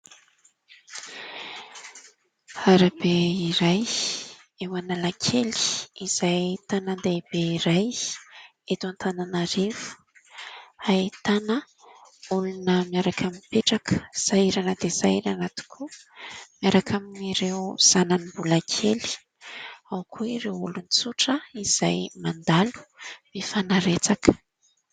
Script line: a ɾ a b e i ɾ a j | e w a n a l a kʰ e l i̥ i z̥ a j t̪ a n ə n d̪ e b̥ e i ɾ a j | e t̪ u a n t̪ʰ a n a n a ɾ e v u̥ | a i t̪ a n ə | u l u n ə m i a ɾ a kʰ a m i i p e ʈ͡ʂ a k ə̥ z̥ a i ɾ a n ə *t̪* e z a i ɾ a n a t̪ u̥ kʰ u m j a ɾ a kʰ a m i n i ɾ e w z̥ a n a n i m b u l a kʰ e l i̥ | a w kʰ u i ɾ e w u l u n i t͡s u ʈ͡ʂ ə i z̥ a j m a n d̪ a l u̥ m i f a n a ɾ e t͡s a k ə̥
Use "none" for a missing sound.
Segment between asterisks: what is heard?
d̪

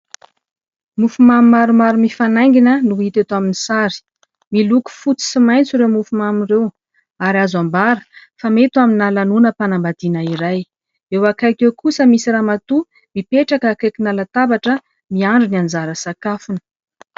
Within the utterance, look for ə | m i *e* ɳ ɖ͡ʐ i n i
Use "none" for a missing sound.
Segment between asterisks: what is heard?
a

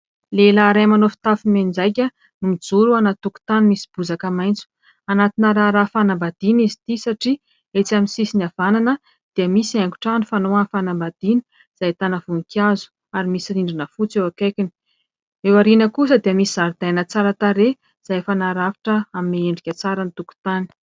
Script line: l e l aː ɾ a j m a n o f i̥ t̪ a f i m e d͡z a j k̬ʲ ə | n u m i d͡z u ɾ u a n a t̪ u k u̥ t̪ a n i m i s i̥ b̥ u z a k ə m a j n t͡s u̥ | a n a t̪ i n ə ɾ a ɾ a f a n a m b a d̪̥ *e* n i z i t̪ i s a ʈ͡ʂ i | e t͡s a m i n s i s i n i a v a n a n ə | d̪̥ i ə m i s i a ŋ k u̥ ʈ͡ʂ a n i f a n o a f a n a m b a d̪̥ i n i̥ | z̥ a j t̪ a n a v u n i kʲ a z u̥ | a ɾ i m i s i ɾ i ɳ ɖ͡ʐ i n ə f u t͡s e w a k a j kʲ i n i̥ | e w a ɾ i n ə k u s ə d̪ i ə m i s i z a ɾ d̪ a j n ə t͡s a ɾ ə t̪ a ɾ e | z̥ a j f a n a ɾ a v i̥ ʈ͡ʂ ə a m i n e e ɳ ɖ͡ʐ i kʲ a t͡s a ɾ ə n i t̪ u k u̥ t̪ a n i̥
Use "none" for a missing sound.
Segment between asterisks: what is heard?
i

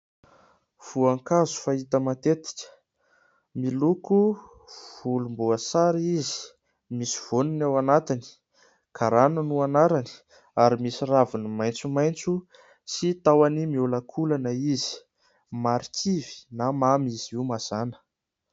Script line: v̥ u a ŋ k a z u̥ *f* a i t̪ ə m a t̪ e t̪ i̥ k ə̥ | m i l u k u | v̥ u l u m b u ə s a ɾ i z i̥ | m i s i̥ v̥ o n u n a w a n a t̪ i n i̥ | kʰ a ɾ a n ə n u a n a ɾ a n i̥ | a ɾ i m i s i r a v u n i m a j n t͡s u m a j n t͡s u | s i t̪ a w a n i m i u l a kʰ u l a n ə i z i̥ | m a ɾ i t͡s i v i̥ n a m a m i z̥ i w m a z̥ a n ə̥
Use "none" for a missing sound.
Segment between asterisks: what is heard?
f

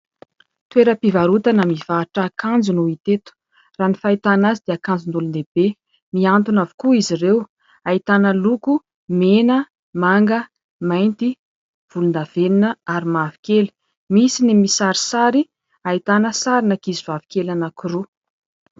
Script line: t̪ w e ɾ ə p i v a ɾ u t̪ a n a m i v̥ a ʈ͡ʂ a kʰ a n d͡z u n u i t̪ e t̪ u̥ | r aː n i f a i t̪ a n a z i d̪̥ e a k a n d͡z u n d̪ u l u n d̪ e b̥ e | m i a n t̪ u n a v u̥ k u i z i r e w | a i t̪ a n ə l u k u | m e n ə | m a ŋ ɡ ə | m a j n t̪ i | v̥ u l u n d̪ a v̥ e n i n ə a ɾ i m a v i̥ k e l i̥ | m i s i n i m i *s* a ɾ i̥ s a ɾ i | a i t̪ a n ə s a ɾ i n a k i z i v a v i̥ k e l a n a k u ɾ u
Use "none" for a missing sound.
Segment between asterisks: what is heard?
s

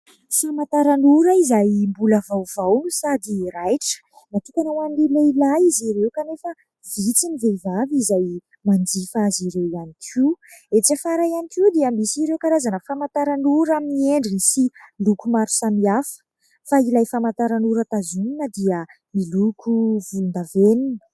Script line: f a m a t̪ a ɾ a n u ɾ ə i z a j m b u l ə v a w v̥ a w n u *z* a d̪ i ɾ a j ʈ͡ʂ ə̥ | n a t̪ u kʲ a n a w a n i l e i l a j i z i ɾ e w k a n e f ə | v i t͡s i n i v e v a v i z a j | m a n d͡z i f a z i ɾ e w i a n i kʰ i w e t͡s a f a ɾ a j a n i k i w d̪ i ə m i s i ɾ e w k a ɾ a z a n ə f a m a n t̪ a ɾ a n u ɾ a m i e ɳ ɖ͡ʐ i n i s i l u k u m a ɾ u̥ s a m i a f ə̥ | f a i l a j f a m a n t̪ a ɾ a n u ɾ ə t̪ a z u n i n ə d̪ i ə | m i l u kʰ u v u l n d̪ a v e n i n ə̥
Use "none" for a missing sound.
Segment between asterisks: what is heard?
s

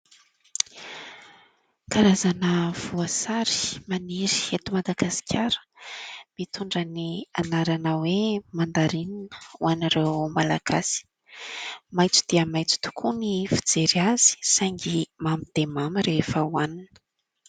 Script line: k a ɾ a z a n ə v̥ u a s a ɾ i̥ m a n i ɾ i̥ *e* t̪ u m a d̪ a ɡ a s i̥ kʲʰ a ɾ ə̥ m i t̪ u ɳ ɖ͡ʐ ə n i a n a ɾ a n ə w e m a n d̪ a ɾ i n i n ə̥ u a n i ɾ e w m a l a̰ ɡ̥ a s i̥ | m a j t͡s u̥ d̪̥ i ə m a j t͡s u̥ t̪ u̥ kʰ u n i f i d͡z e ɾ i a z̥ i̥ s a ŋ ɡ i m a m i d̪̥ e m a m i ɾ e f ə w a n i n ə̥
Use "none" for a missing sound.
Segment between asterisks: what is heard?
e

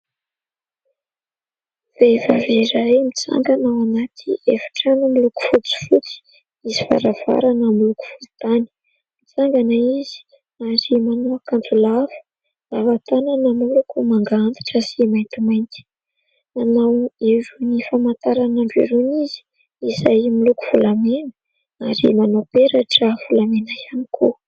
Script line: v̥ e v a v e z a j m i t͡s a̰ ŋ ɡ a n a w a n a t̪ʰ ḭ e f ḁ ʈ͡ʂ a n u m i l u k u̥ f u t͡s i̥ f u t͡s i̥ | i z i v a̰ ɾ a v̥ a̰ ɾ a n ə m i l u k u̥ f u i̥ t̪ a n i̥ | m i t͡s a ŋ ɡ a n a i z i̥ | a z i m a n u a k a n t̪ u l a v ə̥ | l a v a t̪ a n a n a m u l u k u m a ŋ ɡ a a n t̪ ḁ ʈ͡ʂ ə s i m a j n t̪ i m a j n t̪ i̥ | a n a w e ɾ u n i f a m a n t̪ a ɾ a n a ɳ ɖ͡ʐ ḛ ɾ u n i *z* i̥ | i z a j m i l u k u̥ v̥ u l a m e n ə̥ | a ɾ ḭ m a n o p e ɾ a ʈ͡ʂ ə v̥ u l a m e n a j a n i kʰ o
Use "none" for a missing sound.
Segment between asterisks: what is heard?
z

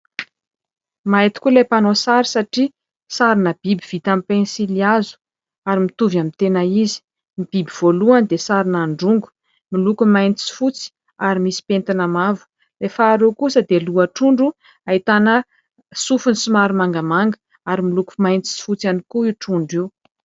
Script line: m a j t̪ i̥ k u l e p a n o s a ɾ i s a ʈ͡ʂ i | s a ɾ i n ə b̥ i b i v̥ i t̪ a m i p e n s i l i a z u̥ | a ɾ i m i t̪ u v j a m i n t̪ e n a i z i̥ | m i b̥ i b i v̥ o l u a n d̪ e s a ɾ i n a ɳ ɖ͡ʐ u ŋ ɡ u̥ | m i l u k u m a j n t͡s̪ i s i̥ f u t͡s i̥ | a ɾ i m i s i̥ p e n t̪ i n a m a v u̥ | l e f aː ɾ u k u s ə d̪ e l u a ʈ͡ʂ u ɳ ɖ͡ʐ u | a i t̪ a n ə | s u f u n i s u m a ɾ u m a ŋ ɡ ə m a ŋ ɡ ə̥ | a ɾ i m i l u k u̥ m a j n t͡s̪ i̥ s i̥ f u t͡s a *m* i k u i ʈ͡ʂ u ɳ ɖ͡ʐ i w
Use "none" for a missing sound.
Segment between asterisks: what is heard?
n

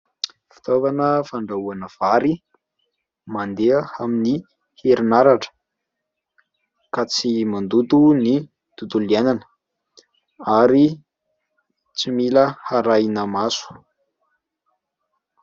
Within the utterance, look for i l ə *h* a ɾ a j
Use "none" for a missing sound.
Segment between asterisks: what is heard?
h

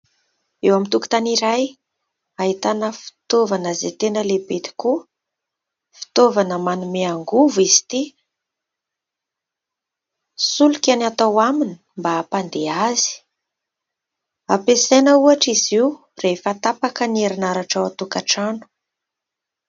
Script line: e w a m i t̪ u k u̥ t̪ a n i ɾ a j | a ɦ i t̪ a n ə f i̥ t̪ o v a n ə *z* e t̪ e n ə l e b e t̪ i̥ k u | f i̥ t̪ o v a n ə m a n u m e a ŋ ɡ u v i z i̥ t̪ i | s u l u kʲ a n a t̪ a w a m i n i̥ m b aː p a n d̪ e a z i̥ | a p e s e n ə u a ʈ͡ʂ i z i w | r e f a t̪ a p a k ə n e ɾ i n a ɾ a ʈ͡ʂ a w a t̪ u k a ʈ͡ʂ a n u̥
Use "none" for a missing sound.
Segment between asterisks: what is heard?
z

